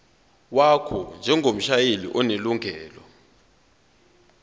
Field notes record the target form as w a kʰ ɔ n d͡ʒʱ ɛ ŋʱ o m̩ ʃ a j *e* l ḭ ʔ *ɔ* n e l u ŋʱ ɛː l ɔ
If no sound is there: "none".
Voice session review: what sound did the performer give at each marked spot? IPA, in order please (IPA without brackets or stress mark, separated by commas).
e, ɔ